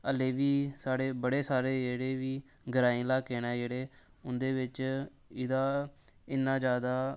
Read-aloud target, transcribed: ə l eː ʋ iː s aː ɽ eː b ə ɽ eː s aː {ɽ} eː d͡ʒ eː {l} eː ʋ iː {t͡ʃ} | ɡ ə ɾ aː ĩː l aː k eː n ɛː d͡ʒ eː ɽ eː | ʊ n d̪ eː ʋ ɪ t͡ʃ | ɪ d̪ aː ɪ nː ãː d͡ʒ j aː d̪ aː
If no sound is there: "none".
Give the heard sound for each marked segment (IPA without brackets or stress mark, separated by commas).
ɾ, ɽ, none